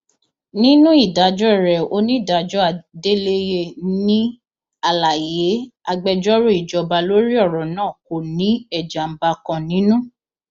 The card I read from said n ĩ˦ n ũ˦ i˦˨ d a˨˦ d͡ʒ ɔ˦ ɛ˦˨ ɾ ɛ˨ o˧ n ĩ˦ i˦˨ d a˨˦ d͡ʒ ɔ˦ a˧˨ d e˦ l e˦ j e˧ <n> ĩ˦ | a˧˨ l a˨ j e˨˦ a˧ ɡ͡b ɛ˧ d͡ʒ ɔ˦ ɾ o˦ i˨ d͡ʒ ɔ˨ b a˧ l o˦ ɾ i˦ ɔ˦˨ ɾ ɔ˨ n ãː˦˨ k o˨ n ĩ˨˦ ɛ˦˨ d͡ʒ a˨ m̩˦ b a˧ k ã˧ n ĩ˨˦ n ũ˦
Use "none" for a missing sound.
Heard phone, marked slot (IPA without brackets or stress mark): n